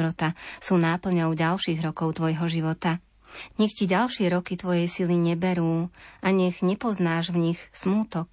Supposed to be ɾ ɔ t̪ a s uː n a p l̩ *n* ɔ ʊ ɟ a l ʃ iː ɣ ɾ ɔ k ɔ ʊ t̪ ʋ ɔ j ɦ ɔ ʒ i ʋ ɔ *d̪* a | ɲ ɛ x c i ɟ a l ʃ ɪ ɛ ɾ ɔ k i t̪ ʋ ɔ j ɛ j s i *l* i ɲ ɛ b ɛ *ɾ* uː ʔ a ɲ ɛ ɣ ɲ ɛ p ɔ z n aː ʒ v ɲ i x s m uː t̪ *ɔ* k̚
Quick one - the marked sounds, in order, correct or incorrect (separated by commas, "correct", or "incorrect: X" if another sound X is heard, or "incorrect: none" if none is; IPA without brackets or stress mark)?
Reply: incorrect: ɲ, incorrect: t̪, correct, correct, correct